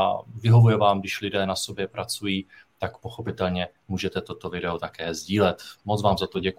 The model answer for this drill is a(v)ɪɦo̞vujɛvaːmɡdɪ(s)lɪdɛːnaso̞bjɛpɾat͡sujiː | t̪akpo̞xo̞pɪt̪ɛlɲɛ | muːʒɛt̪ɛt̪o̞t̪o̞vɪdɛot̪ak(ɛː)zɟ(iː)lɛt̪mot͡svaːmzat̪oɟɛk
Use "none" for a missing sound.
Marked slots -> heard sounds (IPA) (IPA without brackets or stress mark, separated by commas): v, ʃ, ɛː, iː